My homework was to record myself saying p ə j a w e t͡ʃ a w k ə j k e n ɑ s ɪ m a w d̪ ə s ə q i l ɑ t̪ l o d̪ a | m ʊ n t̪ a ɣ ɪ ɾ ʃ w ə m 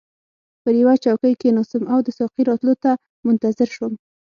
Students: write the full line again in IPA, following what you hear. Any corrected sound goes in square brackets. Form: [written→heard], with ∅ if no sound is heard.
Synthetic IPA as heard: p ə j a w [e→a] t͡ʃ a w k ə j k e n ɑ s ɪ m a w d̪ ə s [ə→ɑ] q i [l→ɾ] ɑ t̪ l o [d̪→t̪] a | m ʊ n t̪ a [ɣ→z] ɪ ɾ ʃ w ə m